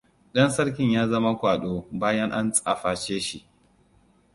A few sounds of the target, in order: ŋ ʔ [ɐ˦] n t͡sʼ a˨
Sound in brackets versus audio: incorrect: a˦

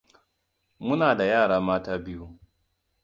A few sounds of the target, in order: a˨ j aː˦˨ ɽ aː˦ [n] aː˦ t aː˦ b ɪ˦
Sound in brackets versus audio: incorrect: m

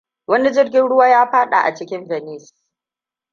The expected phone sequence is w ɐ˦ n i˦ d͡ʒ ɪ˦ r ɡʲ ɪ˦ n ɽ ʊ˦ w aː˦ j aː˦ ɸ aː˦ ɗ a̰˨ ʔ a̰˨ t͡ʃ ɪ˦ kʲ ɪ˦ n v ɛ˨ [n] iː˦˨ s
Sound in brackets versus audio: correct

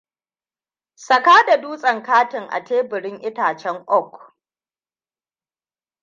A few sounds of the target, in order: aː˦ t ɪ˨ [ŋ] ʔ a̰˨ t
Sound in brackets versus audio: correct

